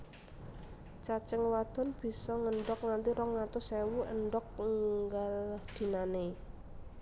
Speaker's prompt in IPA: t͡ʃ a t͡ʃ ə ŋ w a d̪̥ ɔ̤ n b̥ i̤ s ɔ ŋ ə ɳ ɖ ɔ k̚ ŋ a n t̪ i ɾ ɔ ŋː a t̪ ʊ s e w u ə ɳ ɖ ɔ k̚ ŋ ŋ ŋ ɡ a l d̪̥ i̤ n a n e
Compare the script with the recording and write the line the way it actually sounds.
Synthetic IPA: t͡ʃ a t͡ʃ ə ŋ w a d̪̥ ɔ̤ n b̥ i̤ s ɔ ŋ ə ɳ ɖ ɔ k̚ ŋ a n t̪ i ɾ ɔ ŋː a t̪ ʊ s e w u ə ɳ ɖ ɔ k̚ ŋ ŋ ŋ ɡ a l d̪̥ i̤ n a n e